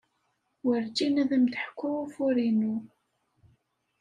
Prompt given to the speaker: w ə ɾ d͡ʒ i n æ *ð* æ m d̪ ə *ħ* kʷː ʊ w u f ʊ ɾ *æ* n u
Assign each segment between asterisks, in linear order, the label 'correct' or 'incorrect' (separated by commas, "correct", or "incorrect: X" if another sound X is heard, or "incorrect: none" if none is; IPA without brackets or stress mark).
correct, correct, incorrect: i